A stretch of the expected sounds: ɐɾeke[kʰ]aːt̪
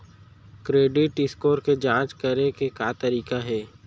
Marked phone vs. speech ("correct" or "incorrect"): incorrect